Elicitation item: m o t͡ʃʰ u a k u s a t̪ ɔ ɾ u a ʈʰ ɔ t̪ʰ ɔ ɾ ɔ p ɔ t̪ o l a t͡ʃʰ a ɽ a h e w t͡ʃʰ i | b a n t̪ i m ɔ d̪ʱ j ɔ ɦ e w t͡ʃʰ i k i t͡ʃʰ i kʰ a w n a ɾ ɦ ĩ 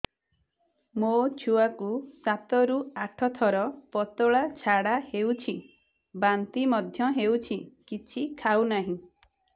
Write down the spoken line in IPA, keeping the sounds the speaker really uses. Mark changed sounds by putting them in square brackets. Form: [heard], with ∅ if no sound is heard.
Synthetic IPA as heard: m o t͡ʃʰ u a k u s a t̪ ɔ ɾ u a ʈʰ ɔ t̪ʰ ɔ ɾ ɔ p ɔ t̪ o [ɭ] a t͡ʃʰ a ɽ a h e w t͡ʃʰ i | b a n t̪ i m ɔ d̪ʱ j ɔ ɦ e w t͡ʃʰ i k i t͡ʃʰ i kʰ a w n a [∅] ɦ ĩ